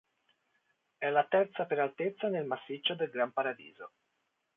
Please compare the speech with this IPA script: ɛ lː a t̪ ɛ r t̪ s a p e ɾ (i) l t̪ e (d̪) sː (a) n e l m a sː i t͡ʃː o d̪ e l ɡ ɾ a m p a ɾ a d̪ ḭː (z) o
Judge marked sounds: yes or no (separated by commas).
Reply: no, no, yes, yes